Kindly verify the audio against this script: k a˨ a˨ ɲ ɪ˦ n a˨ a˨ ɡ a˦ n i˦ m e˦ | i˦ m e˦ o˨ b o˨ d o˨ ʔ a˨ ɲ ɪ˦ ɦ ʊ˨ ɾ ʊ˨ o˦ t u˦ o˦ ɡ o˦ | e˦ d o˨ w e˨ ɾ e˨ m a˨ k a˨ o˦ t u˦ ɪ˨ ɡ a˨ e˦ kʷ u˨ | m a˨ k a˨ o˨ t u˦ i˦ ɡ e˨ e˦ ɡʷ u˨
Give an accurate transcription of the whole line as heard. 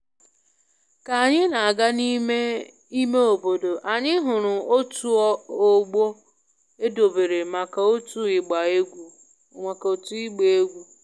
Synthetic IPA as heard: k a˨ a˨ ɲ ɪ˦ n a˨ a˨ ɡ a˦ n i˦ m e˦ | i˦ m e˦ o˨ b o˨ d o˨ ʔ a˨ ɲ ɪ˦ ɦ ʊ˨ ɾ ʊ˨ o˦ t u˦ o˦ ɡ͡b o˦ | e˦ d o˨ b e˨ ɾ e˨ m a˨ k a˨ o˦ t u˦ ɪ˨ ɡ͡b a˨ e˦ ɡʷ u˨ | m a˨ k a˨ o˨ t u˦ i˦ ɡ͡b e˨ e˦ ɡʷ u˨